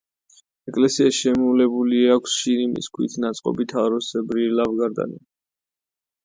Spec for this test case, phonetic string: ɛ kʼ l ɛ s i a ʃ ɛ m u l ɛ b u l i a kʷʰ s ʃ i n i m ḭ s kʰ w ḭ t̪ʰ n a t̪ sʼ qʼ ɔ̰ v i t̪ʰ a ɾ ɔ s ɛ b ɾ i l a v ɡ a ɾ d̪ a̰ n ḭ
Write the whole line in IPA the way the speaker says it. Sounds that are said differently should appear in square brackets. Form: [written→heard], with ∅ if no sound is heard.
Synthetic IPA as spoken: ɛ kʼ l ɛ s i a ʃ ɛ m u l ɛ b u l i a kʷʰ s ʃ i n i m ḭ s kʰ w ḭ t̪ʰ n a t̪ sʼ qʼ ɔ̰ [v→b] i t̪ʰ a ɾ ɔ s ɛ b ɾ i l a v ɡ a ɾ d̪ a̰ n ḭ

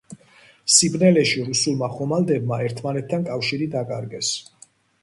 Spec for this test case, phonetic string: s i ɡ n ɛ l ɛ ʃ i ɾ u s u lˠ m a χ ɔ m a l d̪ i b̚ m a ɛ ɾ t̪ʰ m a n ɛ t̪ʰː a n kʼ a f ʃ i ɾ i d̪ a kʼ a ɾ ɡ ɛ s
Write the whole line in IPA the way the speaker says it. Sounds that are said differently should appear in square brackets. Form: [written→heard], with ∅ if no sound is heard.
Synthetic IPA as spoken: s i [ɡ→b] n ɛ l ɛ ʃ i ɾ u s u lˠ m a χ ɔ m a l d̪ [i→ɛ] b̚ m a ɛ ɾ t̪ʰ m a n ɛ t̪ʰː a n kʼ a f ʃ i ɾ i d̪ a kʼ a ɾ ɡ ɛ s

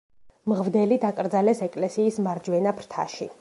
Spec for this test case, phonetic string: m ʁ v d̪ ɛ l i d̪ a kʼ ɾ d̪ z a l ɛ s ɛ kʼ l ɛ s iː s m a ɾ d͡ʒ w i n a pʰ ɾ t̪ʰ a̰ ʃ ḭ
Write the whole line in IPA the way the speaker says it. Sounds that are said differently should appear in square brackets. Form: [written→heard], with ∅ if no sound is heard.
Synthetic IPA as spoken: m ʁ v d̪ ɛ l i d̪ a kʼ ɾ d̪ z a l ɛ s ɛ kʼ l ɛ s iː s m a ɾ d͡ʒ w [i→ɛ] n a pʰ ɾ t̪ʰ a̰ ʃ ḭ

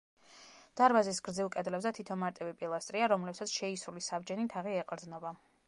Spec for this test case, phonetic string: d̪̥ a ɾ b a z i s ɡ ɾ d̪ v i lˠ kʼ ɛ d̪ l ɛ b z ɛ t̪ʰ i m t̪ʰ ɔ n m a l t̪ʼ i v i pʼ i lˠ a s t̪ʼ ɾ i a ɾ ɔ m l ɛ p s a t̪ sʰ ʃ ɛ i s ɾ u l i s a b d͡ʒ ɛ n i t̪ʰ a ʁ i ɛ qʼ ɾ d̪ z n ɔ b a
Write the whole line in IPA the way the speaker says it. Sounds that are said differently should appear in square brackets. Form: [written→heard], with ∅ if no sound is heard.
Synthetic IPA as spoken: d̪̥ a ɾ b a z i s ɡ ɾ d̪ [v→z] i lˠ kʼ ɛ d̪ l ɛ b z ɛ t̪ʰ i [m→∅] t̪ʰ ɔ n m a [l→ɾ] t̪ʼ i v i pʼ i lˠ a s t̪ʼ ɾ i a ɾ ɔ m l ɛ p s a t̪ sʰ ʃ ɛ i s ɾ u l i s a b d͡ʒ ɛ n i t̪ʰ a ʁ i ɛ qʼ ɾ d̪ z n ɔ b a

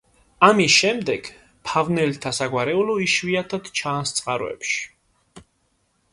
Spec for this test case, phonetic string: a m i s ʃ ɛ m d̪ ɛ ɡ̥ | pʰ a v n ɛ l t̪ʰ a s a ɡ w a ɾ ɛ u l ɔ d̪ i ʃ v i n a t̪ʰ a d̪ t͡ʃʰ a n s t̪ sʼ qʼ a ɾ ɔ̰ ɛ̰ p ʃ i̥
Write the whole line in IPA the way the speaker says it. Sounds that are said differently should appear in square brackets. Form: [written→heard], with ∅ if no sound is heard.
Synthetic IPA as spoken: a m i s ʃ ɛ m d̪ ɛ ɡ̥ | pʰ a v n ɛ l t̪ʰ a s a ɡ w a ɾ ɛ u l ɔ [d̪→∅] i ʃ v i [n→∅] a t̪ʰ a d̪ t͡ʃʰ a n s t̪ sʼ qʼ a ɾ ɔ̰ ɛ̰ p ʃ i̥

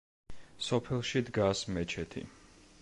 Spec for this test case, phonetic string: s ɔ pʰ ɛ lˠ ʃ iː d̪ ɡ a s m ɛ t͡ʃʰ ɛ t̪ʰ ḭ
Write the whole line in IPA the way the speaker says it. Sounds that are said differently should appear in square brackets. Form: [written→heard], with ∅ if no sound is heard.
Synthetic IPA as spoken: s ɔ pʰ ɛ lˠ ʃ [iː→i] d̪ ɡ a s m ɛ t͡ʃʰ ɛ t̪ʰ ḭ

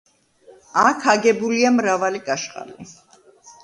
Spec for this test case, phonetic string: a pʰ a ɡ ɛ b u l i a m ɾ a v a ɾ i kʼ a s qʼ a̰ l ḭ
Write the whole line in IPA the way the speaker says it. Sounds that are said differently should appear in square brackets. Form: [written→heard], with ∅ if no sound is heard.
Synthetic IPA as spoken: a [pʰ→kʰ] a ɡ ɛ b u l i a m ɾ a v a [ɾ→l] i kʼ a [s→ʃ] qʼ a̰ l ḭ

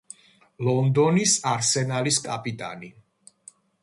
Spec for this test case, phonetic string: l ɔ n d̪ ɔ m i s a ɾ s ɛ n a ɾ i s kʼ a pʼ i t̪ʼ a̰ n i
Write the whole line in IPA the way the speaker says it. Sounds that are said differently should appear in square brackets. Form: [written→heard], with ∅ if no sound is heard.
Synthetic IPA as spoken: l ɔ n d̪ ɔ [m→n] i s a ɾ s ɛ n a [ɾ→l] i s kʼ a pʼ i t̪ʼ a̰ n i

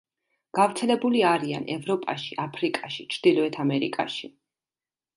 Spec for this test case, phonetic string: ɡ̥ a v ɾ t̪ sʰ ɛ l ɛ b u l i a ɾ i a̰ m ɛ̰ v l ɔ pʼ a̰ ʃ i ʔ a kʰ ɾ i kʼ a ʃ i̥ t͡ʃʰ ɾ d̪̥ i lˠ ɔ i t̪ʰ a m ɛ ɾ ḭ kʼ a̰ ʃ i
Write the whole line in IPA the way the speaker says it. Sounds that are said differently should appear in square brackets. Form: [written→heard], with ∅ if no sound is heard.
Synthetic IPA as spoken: ɡ̥ a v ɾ t̪ sʰ ɛ l ɛ b u l i a ɾ i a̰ [m→n] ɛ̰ v [l→ɾ] ɔ pʼ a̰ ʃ i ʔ a [kʰ→pʰ] ɾ i kʼ a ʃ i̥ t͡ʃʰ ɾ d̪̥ i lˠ ɔ [i→ɛ] t̪ʰ a m ɛ ɾ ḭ kʼ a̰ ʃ i

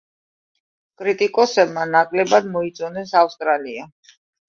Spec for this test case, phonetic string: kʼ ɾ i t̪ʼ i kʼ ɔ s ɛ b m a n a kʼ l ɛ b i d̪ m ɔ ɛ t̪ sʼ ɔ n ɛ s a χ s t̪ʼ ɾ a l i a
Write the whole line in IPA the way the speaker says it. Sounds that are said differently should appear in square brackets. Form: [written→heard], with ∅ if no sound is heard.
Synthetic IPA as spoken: kʼ ɾ i t̪ʼ i kʼ ɔ s ɛ b m a n a kʼ l ɛ b [i→a] d̪ m ɔ [ɛ→i] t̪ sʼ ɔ n ɛ s a [χ→f] s t̪ʼ ɾ a l i a

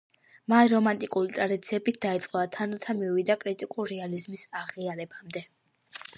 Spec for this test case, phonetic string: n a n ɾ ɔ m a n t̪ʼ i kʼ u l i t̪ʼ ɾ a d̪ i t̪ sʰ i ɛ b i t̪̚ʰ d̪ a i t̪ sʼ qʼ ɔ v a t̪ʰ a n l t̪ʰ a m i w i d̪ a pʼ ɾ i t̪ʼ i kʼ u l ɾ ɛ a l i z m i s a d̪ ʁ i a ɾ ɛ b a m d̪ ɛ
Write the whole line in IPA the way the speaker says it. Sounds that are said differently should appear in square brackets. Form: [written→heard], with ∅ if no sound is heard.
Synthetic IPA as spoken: [n→m] a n ɾ ɔ m a n t̪ʼ i kʼ u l i t̪ʼ ɾ a d̪ i t̪ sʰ i ɛ b i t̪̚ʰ d̪ a i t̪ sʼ qʼ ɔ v a t̪ʰ a n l t̪ʰ a m i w i d̪ a [pʼ→kʼ] ɾ i t̪ʼ i kʼ u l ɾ ɛ a l i z m i s a [d̪→∅] ʁ i a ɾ ɛ b a m d̪ ɛ

